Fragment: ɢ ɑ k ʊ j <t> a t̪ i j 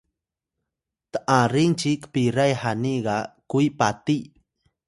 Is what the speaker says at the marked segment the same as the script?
no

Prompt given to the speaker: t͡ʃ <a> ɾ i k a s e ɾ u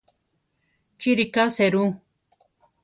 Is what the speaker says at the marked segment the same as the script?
no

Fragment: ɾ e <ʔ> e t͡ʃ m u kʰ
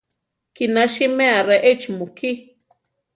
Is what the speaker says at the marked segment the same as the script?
yes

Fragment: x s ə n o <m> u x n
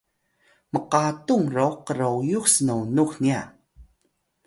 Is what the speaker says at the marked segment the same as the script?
no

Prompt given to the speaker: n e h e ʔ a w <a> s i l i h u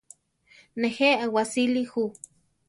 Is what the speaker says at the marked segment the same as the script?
yes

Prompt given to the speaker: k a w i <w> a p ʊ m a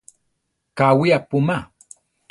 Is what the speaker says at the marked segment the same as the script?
no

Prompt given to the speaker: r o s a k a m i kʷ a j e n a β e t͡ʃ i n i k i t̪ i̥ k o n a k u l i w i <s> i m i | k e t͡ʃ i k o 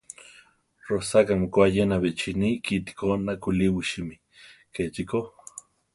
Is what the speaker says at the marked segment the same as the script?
no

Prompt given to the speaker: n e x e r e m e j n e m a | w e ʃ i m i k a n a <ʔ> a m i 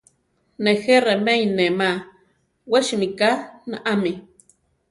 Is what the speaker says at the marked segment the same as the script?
yes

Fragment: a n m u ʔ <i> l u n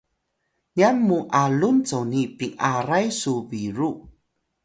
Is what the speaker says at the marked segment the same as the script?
no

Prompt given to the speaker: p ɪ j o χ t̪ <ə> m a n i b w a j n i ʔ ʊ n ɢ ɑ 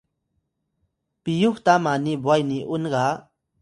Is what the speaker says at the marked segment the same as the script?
no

